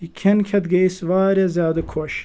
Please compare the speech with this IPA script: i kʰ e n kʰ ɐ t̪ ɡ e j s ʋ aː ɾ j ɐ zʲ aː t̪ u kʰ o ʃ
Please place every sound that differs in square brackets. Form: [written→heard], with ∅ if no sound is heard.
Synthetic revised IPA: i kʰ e n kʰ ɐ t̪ ɡ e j s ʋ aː ɾ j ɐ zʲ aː [t̪→d̪] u kʰ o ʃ